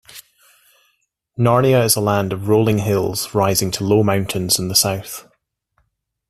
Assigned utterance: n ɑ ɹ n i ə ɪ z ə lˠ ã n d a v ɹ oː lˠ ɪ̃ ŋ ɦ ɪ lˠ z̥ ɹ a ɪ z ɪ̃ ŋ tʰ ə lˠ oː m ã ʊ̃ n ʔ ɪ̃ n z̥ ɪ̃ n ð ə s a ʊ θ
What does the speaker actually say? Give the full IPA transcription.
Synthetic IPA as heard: n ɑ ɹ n i ə ɪ z ə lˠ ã n d ə v ɹ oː lˠ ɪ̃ ŋ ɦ ɪ lˠ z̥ ɹ a ɪ z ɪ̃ ŋ tʰ ə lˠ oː m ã ʊ̃ n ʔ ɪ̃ n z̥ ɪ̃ n ð ə s a ʊ θ